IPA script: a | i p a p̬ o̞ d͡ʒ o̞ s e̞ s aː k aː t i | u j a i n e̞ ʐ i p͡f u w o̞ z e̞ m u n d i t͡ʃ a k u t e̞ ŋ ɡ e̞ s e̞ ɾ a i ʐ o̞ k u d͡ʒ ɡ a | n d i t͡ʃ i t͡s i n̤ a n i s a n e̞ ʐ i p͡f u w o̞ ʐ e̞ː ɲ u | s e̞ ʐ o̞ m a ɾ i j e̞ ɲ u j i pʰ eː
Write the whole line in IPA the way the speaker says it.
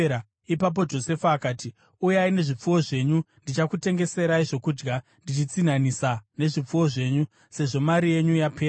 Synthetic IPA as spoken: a | i p a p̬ o̞ d͡ʒ o̞ s e̞ f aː k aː t i | u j a i n e̞ ʐ i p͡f u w o̞ ʐ e̞ ɲ u n d i t͡ʃ a k u t e̞ ŋ ɡ e̞ s e̞ ɾ a i ʐ o̞ k u d͡ʒ ɡ a | n d i t͡ʃ i t͡s i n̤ a n i s a n e̞ ʐ i p͡f u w o̞ ʐ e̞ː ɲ u | s e̞ ʐ o̞ m a ɾ i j e̞ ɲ u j a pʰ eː